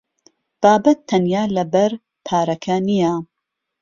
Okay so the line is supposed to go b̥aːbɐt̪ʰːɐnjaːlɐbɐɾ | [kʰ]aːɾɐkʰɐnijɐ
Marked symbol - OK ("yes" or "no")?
no